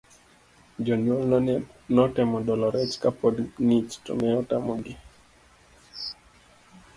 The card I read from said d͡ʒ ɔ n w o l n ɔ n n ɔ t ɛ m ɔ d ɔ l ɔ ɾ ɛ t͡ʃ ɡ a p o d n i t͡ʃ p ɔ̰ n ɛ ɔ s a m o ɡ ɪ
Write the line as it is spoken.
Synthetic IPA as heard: d͡ʒ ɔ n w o l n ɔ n n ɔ t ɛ m ɔ d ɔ l ɔ ɾ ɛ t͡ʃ k a p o d n i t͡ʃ t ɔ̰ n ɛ ɔ t a m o ɡ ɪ